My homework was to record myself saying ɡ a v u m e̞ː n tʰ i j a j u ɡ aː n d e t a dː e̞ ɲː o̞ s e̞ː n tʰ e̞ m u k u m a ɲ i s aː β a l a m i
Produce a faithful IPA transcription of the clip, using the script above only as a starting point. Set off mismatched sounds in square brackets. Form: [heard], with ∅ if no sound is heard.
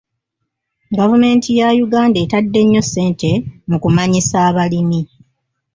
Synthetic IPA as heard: ɡ a v u m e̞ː n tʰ i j a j u ɡ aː n d e t a dː e̞ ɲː o̞ s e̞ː n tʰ e̞ m u k u m a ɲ i s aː β a l [i] m i